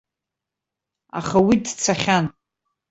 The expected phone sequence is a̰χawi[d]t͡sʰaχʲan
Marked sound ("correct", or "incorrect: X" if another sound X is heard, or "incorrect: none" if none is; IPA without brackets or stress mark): correct